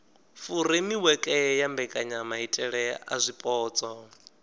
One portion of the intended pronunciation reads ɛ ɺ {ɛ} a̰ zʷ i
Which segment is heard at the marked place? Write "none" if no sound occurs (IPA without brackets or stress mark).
ɛ